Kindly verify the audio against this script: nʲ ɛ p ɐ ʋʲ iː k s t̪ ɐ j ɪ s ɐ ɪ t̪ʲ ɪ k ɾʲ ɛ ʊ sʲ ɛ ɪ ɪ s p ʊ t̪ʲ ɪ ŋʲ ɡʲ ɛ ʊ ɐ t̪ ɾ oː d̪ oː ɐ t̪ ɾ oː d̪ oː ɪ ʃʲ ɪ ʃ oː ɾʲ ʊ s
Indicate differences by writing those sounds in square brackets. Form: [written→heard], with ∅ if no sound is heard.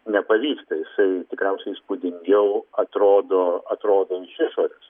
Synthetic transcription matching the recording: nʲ ɛ p ɐ ʋʲ iː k s t̪ ɐ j ɪ s ɐ ɪ t̪ʲ ɪ k ɾʲ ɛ ʊ sʲ ɛ ɪ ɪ s p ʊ [t̪ʲ→d̪ʲ] ɪ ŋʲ ɡʲ ɛ ʊ ɐ t̪ ɾ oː d̪ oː ɐ t̪ ɾ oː d̪ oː ɪ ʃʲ ɪ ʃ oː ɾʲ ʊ s